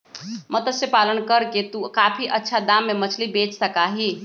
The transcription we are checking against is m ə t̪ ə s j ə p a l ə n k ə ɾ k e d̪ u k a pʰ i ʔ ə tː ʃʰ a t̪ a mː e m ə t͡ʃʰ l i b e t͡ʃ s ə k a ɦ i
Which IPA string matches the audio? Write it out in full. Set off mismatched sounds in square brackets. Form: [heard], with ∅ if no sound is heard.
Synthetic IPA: m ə t̪ ə s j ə p a l ə n k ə ɾ k e [t̪] u k a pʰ i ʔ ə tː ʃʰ a [d̪] a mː e m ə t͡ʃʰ l i b e t͡ʃ s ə k a ɦ i